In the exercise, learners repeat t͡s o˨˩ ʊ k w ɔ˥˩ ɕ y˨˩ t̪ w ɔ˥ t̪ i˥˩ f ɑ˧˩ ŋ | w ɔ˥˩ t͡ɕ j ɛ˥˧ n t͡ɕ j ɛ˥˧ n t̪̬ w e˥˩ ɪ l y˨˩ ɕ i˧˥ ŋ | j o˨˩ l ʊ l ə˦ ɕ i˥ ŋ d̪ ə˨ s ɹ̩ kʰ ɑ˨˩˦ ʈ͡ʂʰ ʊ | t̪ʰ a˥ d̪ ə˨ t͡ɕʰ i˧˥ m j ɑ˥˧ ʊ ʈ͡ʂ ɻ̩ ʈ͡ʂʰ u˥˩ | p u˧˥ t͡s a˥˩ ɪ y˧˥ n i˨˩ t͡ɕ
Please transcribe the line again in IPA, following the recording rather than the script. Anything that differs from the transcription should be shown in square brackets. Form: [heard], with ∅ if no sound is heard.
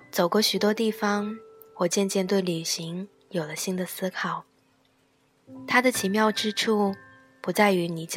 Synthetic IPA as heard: t͡s o˨˩ ʊ k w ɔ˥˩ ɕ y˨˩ t̪ w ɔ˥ t̪ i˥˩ f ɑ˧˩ ŋ | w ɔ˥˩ t͡ɕ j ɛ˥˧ n t͡ɕ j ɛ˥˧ n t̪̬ w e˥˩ ɪ l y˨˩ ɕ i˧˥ ŋ | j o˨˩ [∅] ʊ l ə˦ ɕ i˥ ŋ d̪ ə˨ s ɹ̩ kʰ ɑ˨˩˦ [∅] ʊ | t̪ʰ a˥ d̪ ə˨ t͡ɕʰ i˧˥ m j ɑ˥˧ ʊ ʈ͡ʂ ɻ̩ ʈ͡ʂʰ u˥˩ | p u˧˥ t͡s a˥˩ ɪ y˧˥ n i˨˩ t͡ɕ